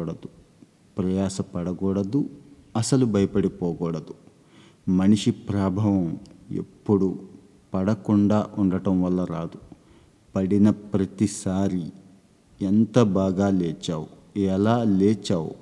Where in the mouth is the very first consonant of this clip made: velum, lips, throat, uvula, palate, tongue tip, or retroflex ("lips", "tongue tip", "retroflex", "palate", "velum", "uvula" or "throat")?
retroflex